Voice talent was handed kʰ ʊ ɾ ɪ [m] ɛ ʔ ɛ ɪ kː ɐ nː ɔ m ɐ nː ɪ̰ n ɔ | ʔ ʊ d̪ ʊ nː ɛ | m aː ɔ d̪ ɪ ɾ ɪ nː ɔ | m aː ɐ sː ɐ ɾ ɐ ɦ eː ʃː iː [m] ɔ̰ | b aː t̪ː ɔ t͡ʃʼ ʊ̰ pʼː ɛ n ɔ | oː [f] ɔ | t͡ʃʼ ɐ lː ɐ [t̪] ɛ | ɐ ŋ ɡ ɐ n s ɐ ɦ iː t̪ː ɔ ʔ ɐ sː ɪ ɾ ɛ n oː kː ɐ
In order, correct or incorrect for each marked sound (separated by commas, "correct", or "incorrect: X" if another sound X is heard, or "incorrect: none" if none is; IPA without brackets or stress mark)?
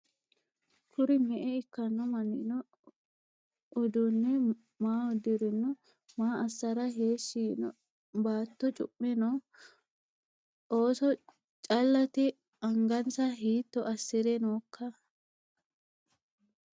correct, incorrect: n, incorrect: s, correct